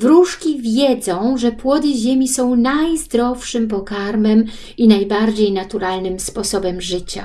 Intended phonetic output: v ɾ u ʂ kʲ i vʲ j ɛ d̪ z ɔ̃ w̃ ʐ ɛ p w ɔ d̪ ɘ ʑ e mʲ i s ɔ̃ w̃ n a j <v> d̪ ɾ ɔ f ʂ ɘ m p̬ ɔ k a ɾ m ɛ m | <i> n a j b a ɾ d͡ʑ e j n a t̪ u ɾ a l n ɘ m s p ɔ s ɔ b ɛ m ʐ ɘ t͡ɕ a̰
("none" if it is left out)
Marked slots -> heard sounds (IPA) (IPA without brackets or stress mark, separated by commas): z, i